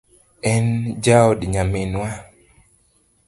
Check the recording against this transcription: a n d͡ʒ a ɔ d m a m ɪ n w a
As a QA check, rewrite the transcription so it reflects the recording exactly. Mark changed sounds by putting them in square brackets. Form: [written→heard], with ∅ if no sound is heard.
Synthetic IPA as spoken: [a→ɛ] n d͡ʒ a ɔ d [m→ɲ] a m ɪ n w a